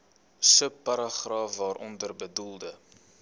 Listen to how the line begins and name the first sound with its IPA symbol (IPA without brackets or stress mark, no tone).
s